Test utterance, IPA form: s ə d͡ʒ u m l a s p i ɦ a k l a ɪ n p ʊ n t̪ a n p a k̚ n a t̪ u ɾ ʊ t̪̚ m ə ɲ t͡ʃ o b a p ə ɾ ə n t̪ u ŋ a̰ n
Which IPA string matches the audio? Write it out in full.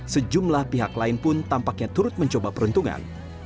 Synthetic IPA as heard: s ə d͡ʒ u m l a h p i ɦ a k l a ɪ n p ʊ n t̪ a m p a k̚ ɲ a t̪ u ɾ ʊ t̪̚ m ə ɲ t͡ʃ o b a p ə ɾ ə n t̪ u ŋ a̰ n